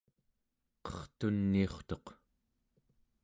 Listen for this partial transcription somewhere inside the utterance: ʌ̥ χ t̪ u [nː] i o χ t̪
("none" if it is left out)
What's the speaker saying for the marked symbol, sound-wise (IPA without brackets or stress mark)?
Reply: nː